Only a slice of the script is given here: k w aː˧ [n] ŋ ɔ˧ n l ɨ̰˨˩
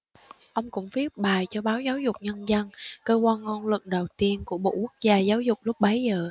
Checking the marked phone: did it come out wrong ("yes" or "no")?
no